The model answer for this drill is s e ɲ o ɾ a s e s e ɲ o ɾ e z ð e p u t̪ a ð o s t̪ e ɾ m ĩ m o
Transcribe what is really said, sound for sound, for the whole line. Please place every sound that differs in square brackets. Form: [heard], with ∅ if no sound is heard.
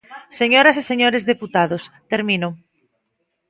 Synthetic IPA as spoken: s e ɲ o ɾ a s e s e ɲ o ɾ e z ð e p u t̪ a ð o s t̪ e ɾ m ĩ [n] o